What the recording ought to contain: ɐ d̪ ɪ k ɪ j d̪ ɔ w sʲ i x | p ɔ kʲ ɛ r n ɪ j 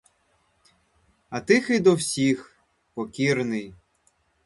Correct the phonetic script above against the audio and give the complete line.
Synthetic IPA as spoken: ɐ t̪ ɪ x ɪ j d̪ ɔ w sʲ i x | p ɔ kʲ i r n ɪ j